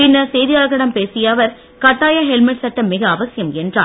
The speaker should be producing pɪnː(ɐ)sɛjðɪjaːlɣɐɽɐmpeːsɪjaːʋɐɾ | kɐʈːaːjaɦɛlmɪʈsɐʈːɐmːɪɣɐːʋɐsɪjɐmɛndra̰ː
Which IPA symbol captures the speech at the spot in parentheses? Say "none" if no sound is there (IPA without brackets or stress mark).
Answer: ɐ